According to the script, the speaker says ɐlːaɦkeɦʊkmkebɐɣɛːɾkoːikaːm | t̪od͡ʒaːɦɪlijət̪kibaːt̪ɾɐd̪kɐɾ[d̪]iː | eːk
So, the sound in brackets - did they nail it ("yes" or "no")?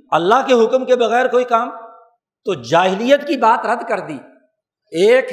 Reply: yes